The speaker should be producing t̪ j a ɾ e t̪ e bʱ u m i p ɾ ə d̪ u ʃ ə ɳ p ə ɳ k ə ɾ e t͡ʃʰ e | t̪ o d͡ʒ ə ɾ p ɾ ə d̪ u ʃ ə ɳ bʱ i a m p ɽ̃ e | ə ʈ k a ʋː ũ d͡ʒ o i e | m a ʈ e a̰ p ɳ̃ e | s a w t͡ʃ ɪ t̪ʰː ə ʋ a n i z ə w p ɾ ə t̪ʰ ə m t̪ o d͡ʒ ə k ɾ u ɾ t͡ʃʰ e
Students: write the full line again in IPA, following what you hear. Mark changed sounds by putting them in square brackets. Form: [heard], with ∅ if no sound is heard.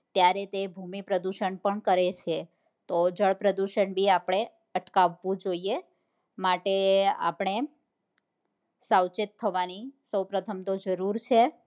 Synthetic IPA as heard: t̪ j a ɾ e t̪ e bʱ u m i p ɾ ə d̪ u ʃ ə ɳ p ə ɳ k ə ɾ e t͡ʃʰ e | t̪ o d͡ʒ ə [ɭ] p ɾ ə d̪ u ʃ ə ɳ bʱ i a [∅] p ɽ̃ e | ə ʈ k a ʋː ũ d͡ʒ o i e | m a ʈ e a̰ p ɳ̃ e | s a w t͡ʃ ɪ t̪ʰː ə ʋ a n i [s] ə w p ɾ ə t̪ʰ ə m t̪ o d͡ʒ ə [∅] ɾ u ɾ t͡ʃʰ e